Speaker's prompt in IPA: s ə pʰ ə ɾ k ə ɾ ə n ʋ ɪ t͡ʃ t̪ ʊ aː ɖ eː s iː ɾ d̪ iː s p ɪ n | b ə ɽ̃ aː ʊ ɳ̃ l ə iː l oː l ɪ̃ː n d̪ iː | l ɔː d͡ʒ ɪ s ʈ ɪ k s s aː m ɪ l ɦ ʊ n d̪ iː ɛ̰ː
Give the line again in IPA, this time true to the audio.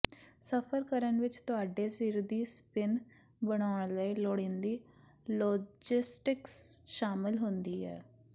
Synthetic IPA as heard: s ə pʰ ə ɾ k ə ɾ ə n ʋ ɪ t͡ʃ t̪ ʊ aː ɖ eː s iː ɾ d̪ iː s p ɪ n | b ə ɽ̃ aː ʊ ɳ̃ l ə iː l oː ɽ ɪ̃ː n d̪ iː | l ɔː d͡ʒ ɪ s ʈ ɪ k s ʃ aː m ɪ l ɦ ʊ n d̪ iː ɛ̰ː